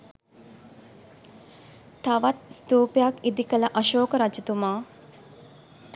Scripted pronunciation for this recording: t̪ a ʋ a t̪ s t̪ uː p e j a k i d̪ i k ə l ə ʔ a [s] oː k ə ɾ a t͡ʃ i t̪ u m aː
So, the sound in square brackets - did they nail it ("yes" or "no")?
no